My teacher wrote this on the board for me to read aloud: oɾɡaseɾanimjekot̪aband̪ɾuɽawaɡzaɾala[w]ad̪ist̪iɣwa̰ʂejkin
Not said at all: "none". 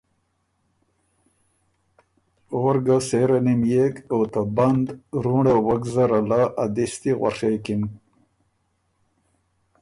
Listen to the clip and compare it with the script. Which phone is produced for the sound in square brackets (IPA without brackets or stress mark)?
none